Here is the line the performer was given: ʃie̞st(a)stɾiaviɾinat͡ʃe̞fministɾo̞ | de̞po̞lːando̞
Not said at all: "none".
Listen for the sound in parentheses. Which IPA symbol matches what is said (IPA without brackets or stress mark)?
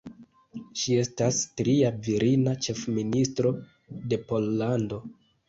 a